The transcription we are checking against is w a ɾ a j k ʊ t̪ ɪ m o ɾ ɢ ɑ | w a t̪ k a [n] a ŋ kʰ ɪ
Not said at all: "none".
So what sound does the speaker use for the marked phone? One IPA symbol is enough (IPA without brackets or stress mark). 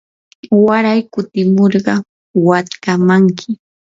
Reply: m